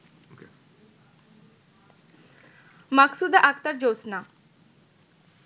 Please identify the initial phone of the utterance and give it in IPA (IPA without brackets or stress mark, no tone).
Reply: m